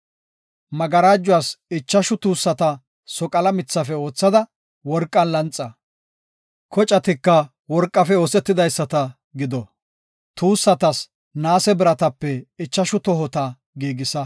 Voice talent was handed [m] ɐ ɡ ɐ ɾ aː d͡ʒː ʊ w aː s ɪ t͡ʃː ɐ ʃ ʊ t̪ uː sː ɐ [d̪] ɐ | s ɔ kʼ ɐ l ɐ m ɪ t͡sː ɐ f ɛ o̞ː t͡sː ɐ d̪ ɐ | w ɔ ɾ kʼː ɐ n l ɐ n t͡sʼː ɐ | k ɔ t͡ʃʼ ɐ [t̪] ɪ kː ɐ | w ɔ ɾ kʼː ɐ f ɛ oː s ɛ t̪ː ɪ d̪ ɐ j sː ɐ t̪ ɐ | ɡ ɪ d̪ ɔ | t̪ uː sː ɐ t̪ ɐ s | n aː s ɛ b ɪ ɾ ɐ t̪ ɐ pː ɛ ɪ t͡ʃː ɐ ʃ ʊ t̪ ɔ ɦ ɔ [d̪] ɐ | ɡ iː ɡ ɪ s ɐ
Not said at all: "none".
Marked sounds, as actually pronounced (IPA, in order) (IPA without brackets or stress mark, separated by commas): m, t̪, t̪, t̪